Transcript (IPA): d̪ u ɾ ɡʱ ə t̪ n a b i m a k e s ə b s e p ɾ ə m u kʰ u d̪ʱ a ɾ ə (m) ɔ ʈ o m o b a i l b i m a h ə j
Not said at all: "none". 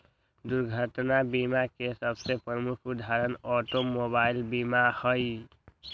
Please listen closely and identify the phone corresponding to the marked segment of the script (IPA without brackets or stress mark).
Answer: n